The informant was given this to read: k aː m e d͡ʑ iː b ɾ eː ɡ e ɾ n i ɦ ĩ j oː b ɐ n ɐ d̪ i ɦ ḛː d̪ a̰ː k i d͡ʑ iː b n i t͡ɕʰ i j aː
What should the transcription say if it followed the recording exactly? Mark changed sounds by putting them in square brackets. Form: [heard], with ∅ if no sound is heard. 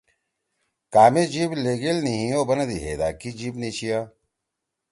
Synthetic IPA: k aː m e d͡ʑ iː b [l] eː ɡ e [l] n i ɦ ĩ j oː b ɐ n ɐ d̪ i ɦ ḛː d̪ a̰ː k i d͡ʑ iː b n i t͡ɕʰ i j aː